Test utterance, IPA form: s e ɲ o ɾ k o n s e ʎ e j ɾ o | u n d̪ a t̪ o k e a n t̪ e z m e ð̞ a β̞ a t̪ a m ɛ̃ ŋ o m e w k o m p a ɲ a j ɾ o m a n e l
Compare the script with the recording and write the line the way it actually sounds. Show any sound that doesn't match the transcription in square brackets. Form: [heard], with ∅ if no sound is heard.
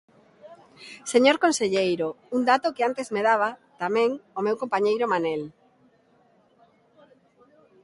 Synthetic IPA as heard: s e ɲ o ɾ k o n s e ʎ e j ɾ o | u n d̪ a t̪ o k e a n t̪ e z m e ð̞ a β̞ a t̪ a m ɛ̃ ŋ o m e w k o m p a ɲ [e] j ɾ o m a n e l